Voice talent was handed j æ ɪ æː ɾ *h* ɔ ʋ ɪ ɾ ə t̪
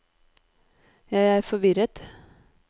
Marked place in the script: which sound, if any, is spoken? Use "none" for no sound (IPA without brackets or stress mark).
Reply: f